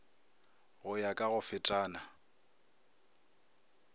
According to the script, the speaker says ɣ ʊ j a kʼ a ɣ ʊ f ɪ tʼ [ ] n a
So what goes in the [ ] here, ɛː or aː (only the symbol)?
aː